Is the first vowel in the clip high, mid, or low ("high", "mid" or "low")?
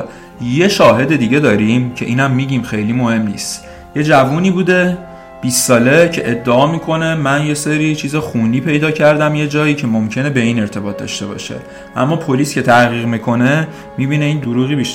mid